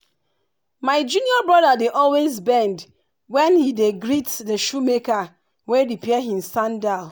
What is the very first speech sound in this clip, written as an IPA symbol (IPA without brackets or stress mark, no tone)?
m